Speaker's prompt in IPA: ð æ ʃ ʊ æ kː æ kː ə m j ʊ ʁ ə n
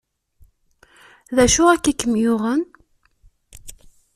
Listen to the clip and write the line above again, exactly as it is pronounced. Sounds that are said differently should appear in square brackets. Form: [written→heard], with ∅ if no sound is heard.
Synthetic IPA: ð æ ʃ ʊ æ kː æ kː ə m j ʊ ʁ ə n